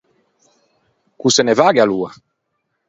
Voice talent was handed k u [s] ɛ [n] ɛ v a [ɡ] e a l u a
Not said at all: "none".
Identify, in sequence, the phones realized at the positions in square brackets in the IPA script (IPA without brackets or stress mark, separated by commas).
s, n, ɡ